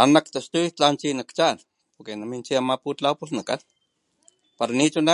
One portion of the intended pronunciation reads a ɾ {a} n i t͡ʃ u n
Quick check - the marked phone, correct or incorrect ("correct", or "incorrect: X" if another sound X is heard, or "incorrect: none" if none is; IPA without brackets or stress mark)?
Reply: correct